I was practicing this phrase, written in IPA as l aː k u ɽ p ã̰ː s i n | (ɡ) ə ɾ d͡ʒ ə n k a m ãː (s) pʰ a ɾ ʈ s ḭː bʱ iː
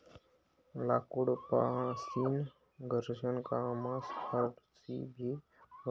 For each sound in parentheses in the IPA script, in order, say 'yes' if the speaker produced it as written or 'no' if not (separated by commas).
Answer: yes, yes